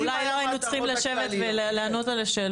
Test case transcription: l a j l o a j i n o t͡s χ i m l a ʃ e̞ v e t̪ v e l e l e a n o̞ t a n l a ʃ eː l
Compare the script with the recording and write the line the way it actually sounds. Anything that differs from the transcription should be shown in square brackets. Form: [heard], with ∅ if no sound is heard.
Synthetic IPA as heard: l a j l o a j i n [u] t͡s χ i m l a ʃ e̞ v e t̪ v e l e l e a n o̞ t a [∅] l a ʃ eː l